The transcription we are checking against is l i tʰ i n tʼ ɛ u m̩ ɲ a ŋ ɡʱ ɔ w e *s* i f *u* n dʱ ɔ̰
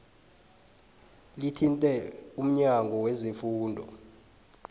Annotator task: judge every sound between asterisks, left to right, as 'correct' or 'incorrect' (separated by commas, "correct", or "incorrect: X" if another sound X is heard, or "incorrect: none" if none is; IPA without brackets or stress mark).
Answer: incorrect: z, incorrect: uː